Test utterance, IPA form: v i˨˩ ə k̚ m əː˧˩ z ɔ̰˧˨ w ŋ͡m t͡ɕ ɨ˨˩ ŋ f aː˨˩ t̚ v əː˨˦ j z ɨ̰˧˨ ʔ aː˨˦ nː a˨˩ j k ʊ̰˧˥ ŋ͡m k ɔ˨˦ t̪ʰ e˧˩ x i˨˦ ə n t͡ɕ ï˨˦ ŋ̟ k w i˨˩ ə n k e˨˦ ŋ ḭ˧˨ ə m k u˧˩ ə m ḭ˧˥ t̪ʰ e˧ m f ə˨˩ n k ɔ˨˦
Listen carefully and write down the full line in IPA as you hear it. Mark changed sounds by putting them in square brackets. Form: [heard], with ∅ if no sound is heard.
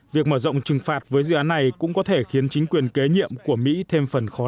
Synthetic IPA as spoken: v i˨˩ ə k̚ m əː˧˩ z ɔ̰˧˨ w ŋ͡m t͡ɕ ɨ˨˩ ŋ f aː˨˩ t̚ v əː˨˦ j z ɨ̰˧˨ ʔ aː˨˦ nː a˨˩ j k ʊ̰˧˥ ŋ͡m k ɔ˨˦ t̪ʰ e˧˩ x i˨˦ ə n t͡ɕ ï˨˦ ŋ̟ k w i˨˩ ə n k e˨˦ [ɲ] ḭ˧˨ ə m k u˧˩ ə m ḭ˧˥ t̪ʰ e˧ m f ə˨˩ n [x] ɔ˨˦